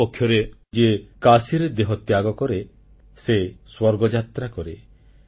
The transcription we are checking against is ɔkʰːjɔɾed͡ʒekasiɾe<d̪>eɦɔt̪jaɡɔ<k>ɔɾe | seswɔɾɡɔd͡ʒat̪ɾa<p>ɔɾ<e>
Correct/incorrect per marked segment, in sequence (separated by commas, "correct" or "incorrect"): correct, correct, incorrect, correct